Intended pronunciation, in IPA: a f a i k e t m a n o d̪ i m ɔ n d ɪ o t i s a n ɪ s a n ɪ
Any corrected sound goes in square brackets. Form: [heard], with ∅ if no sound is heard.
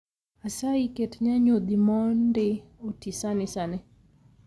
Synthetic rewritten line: a [s] a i k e t [ɲ] a [ɲ] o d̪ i m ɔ n d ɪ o t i s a n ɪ s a n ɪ